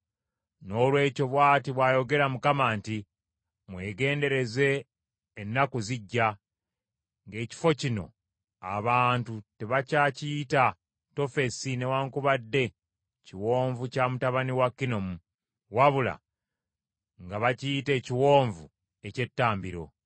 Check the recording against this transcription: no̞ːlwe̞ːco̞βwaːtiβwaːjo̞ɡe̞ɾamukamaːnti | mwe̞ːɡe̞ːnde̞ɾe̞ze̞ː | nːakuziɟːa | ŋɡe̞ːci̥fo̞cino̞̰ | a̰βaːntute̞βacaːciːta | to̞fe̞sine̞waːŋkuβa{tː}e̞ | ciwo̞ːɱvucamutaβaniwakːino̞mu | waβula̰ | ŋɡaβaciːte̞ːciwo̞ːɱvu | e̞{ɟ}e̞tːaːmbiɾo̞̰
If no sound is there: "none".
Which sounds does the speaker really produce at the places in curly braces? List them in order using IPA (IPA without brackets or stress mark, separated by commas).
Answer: dː, c